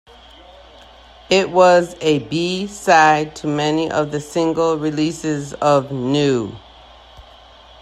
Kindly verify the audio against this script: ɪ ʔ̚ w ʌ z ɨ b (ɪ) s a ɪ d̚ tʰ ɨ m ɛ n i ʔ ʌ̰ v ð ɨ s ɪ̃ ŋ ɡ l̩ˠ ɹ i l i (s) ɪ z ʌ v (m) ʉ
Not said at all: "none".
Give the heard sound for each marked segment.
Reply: i, s, n

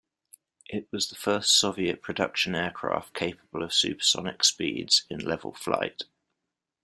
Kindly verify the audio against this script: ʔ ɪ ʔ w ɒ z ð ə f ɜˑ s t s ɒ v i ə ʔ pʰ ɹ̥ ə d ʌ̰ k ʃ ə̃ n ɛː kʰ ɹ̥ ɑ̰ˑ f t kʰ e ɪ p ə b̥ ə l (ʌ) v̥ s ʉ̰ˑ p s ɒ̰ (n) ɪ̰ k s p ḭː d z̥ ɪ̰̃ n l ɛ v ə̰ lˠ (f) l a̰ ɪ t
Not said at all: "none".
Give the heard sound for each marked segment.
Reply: ə, n, f

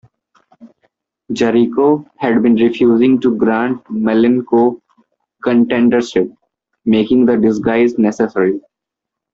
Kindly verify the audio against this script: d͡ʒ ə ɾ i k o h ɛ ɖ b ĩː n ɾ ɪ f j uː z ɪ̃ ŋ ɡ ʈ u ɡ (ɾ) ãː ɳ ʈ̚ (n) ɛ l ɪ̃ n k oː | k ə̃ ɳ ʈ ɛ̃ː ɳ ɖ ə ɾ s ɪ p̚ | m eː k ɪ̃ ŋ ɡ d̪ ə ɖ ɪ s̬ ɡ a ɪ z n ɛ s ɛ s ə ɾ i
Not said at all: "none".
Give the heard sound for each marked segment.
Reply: ɾ, m

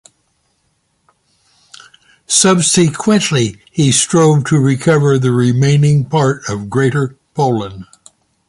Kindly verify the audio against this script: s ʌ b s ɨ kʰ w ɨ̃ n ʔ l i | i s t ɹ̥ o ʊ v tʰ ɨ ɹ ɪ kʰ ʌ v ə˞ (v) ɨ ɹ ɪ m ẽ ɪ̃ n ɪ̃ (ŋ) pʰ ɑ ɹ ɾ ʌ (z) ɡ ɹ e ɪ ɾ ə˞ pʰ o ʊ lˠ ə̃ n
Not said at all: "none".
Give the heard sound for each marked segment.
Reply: ð, ŋ, v

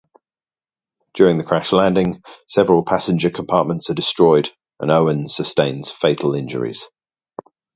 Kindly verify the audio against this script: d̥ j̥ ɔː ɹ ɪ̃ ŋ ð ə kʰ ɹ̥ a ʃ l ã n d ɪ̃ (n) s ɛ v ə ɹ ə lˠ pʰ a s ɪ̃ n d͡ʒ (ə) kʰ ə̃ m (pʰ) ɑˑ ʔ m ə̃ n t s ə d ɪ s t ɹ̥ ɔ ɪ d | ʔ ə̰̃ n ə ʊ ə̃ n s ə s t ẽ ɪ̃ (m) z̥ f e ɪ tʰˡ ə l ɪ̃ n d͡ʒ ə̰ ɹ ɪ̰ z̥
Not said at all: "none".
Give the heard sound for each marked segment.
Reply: ŋ, ə, pʰ, n

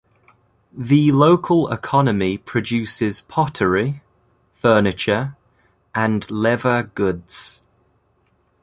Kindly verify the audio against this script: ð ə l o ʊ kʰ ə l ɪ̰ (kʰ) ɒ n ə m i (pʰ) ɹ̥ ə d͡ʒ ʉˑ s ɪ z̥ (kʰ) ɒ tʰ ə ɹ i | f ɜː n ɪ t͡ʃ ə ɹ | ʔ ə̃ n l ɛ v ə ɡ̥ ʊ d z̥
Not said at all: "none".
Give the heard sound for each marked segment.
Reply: kʰ, pʰ, pʰ

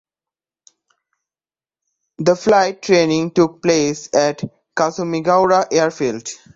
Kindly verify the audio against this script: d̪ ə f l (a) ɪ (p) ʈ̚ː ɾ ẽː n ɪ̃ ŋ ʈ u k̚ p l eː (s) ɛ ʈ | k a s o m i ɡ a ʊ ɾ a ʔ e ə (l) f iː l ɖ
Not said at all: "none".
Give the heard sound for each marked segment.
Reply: a, none, s, ɾ

